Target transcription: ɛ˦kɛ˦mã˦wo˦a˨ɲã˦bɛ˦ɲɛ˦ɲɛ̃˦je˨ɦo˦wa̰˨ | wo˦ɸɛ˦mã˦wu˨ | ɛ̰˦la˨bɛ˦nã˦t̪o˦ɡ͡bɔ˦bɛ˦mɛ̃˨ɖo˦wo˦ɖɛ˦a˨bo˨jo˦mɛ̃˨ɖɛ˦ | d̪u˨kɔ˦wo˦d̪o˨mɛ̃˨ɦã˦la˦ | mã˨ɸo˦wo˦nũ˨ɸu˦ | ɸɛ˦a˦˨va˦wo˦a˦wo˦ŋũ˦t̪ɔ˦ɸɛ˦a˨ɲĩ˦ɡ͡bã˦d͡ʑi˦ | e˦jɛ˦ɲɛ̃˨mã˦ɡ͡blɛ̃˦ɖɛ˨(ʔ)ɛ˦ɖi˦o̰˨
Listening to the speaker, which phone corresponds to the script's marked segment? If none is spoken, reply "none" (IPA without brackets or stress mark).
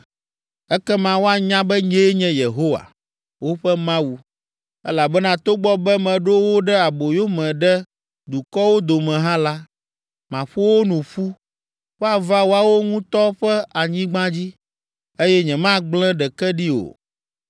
k